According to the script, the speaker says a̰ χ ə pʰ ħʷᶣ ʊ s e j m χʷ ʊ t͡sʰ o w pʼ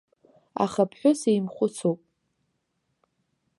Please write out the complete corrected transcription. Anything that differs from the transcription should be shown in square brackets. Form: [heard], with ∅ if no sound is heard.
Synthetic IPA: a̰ χ [a] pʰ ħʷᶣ ʊ s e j m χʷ ʊ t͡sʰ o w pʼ

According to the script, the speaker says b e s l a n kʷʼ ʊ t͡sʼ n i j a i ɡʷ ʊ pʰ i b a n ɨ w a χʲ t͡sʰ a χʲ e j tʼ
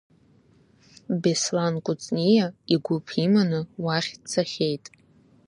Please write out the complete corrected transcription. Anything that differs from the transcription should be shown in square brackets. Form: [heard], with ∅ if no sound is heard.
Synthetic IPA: b e s l a n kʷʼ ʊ t͡sʼ n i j a i ɡʷ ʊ pʰ i [m] a n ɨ w a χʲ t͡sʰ a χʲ e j tʼ

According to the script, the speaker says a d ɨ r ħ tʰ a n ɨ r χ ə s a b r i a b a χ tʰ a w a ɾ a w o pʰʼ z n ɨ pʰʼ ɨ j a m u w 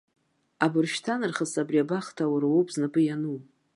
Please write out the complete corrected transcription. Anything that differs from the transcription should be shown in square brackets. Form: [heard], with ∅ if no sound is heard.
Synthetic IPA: a [b] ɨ r [ʃ] tʰ a n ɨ r χ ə s a b r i a b a χ tʰ a w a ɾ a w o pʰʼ z n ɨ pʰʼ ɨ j a [n] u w

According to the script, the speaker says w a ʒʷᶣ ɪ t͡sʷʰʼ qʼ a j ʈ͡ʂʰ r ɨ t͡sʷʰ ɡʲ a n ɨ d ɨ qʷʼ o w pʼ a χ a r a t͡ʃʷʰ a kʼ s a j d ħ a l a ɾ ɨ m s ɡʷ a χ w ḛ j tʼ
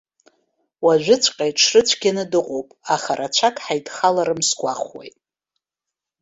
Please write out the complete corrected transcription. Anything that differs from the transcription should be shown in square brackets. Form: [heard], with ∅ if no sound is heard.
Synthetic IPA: w a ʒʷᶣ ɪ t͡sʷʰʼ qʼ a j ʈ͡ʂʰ r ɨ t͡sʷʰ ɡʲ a n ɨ d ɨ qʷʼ o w pʼ a χ a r a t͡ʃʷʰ a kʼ [ħ] a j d [χ] a l a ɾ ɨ m s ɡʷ a χ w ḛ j tʼ

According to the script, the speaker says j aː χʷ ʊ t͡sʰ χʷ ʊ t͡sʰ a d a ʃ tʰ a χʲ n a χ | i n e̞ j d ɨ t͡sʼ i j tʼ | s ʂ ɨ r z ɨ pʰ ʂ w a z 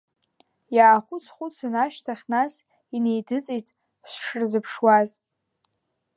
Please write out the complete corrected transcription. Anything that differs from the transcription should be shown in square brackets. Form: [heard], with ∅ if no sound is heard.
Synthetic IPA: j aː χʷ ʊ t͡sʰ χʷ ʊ t͡sʰ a [n] a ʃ tʰ a χʲ n a [s] | i n e̞ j d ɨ t͡sʼ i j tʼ | s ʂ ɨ r z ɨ pʰ ʂ w a z

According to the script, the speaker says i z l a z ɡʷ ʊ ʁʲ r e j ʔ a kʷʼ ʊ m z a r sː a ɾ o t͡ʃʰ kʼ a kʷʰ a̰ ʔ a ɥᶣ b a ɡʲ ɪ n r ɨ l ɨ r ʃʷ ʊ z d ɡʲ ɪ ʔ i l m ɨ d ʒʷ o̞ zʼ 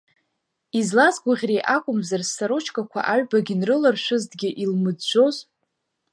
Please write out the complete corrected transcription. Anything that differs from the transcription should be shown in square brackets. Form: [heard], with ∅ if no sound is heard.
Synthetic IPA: i z l a z ɡʷ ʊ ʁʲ r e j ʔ a kʷʼ ʊ m z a r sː a ɾ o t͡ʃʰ kʼ a kʷʰ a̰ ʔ a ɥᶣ b a ɡʲ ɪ n r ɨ l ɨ r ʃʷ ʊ z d ɡʲ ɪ ʔ i l m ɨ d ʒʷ o̞ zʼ

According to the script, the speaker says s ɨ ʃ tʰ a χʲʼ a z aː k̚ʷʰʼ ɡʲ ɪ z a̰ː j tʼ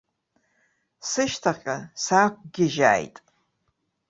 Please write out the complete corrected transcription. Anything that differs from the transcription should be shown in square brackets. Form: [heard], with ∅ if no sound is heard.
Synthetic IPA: s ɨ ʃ tʰ a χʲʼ a [s] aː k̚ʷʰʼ ɡʲ ɪ [ʒ] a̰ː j tʼ

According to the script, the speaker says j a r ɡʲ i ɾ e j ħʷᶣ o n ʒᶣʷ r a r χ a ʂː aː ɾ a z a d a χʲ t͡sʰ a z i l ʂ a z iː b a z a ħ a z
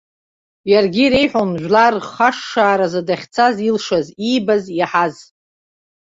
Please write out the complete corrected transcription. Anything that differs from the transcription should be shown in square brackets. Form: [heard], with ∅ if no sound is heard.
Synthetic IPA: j a r ɡʲ i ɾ e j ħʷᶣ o n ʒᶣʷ [l] a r χ a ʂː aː ɾ a z a d a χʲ t͡sʰ a z i l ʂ a z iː b a z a ħ a z

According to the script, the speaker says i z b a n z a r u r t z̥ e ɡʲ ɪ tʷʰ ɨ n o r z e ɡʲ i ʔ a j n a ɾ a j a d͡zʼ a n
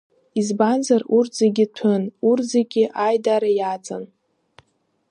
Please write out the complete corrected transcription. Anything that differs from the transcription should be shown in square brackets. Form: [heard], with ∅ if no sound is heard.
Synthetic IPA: i z b a n z a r u r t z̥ e ɡʲ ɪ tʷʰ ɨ n [u] r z e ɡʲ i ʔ a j [d] a ɾ a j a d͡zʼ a n

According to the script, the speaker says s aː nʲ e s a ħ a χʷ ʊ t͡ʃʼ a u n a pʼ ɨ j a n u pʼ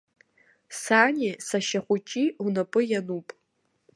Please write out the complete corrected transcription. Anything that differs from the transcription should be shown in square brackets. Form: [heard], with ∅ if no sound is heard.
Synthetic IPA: s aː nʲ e s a [ʃ] a χʷ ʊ t͡ʃʼ [i] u n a pʼ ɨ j a n u pʼ

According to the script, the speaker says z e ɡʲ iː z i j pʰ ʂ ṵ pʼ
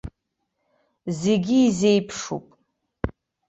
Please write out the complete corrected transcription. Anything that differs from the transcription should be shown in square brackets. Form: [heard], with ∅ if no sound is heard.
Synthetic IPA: z e ɡʲ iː z [e] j pʰ ʂ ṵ pʼ

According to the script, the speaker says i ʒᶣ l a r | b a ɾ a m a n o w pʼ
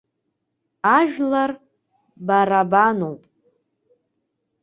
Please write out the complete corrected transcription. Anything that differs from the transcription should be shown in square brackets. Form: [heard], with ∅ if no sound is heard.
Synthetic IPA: [a] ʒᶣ l a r | b a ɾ a [b] a n o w pʼ

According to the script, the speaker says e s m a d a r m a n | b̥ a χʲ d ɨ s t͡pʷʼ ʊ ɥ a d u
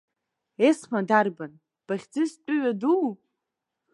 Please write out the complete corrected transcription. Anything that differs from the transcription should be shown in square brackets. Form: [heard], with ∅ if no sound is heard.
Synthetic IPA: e s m a d a r [b] a n | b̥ a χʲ [d͡z] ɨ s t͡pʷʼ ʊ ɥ a d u

